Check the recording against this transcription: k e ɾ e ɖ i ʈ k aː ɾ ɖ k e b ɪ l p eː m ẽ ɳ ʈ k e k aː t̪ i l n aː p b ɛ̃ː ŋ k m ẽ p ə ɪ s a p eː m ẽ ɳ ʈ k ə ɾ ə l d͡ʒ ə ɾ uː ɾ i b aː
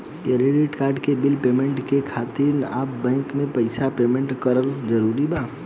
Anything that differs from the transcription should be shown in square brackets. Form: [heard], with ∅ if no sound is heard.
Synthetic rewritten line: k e ɾ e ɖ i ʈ k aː ɾ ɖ k e b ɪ l p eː m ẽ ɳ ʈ k e [kʰ] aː t̪ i [ɾ] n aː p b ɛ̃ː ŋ k m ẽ p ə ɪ s a p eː m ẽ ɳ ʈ k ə ɾ ə l d͡ʒ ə ɾ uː ɾ i b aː